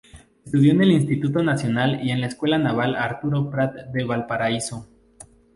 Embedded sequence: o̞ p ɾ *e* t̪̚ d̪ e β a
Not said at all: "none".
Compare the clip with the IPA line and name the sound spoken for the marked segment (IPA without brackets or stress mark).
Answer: a